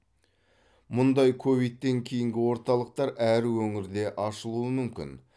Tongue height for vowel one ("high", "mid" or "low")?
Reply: high